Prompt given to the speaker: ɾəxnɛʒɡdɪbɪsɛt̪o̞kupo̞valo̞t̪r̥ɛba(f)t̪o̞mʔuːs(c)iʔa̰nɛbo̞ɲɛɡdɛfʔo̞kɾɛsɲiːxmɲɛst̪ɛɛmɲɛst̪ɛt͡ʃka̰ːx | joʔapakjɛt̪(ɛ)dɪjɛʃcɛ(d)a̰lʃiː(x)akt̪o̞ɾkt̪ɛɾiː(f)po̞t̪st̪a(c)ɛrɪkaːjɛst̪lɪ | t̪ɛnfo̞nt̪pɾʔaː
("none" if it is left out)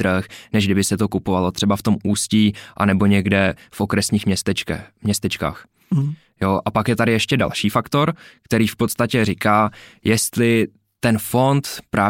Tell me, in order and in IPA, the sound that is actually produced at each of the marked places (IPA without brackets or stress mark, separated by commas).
f, c, a, d, f, f, c